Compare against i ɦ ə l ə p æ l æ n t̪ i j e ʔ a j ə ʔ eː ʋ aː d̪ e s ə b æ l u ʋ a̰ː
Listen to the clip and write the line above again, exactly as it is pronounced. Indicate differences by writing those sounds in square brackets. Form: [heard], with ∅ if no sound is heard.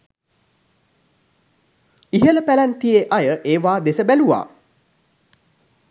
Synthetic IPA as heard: i ɦ ə l ə p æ l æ n t̪ i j e ʔ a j ə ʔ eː ʋ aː d̪ e s ə b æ l u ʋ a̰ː